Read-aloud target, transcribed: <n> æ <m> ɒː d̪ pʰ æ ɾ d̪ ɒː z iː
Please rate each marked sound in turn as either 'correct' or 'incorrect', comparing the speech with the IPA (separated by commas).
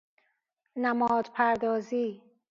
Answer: correct, correct